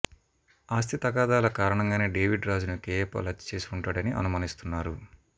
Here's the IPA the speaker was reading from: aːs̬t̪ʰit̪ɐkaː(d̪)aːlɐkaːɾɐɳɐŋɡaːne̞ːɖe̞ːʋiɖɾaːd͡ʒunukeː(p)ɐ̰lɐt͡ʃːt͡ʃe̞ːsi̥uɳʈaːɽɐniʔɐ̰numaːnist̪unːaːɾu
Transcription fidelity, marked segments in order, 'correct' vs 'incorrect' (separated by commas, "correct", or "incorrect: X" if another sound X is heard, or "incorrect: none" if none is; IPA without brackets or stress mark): correct, correct